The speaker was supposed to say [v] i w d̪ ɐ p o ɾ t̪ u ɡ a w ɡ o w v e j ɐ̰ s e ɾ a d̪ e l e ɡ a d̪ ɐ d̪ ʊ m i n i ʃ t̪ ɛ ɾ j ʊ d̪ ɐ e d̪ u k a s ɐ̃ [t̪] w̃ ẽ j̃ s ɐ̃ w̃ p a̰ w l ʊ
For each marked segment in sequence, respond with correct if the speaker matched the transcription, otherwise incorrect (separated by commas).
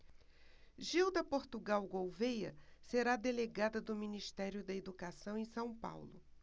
incorrect, incorrect